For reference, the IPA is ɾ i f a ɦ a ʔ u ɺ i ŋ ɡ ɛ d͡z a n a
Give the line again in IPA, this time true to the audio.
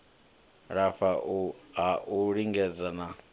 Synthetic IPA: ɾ a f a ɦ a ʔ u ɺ i ŋ ɡ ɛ d͡z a n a